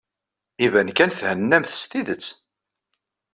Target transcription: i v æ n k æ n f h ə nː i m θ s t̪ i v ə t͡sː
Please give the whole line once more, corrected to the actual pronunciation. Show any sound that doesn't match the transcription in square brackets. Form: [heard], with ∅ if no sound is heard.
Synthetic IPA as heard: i v æ n k æ n [θ] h ə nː [æ] m θ s t̪ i [ð] ə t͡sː